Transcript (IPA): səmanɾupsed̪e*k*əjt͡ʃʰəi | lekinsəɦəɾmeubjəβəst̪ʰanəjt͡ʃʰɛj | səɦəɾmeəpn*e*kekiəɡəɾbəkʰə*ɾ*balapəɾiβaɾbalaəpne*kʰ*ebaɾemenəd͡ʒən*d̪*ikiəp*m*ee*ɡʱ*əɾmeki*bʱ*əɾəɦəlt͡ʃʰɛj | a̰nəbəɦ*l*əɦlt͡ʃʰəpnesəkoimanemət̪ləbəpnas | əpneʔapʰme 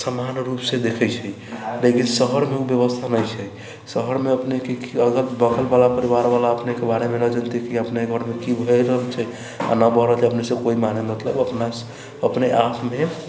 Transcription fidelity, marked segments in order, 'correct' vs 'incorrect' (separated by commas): incorrect, correct, incorrect, incorrect, incorrect, incorrect, correct, correct, incorrect